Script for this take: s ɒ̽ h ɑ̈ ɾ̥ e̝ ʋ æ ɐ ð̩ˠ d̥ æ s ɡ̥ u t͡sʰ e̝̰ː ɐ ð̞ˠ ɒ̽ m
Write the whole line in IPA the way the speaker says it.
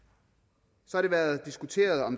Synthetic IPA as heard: s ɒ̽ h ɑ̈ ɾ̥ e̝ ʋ æ ɐ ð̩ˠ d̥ i s ɡ̥ u t͡sʰ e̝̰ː ɐ ð̞ˠ ɒ̽ m

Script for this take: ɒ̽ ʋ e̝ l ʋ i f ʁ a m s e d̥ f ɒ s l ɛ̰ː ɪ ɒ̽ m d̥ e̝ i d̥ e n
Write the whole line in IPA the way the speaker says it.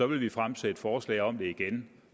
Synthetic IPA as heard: ɒ̽ ʋ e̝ l ʋ i f ʁ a m s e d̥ f ɒː s l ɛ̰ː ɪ ɒ̽ m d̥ e̝ i ɡ̥ e n

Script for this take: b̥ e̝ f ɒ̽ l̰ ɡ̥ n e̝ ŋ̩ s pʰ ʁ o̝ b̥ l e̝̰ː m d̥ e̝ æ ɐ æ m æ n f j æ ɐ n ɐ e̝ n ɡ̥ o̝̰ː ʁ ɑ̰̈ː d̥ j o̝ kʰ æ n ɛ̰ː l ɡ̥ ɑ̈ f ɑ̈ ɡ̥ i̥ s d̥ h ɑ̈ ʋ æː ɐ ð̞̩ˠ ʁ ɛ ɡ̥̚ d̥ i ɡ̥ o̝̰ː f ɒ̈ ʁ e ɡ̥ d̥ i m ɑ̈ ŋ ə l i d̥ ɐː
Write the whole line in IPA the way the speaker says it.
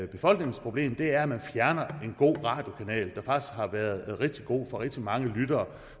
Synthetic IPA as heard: b̥ e̝ f ɒ̽ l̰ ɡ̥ n e̝ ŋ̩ s pʰ ʁ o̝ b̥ l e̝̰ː m d̥ e̝ æ ɐ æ m æ n f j æ ɐ n ɐ e̝ n ɡ̥ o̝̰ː ʁ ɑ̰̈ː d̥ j o̝ kʰ æ n ɛ̰ː l d̥ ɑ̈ f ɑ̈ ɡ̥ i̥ s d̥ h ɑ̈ ʋ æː ɐ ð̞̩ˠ ʁ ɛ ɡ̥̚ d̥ i ɡ̥ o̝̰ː f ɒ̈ ʁ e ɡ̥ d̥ i m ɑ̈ ŋ ə l y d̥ ɐː

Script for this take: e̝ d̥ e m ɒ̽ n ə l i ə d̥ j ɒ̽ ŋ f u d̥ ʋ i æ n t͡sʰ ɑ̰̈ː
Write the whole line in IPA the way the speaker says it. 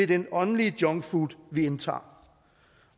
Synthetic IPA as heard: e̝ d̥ e n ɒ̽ n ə l i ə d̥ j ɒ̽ ŋ f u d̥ ʋ i e n t͡sʰ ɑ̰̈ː

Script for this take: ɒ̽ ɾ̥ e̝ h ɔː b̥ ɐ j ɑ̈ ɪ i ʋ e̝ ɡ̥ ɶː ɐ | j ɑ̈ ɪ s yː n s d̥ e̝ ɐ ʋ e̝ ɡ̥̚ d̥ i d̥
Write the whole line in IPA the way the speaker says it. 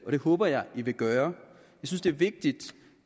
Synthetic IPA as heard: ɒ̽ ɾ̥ e̝ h ɔː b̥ ɐ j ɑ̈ ɪ i ʋ e̝ ɡ̥ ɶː ɐ | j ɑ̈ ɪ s y n s d̥ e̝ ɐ ʋ e̝ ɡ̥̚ d̥ i d̥

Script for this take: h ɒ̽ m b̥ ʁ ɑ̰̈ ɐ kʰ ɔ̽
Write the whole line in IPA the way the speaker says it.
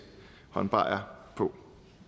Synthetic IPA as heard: h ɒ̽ n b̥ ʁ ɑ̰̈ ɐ pʰ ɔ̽

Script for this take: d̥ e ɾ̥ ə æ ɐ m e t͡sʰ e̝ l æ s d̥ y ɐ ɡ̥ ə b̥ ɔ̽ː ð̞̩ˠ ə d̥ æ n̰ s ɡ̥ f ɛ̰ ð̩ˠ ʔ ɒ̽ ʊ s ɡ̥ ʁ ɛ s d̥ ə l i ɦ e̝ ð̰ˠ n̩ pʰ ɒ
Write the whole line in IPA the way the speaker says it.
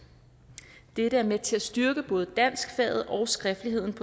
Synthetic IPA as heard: d̥ e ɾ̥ ə æ ɐ m e t͡sʰ e̝ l æ s d̥ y ɐ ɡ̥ ə b̥ ɔ̽ː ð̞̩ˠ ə d̥ æ n̰ s ɡ̥ f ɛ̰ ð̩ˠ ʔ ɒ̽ ʊ s ɡ̥ ʁ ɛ f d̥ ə l i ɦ e̝ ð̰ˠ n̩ pʰ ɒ

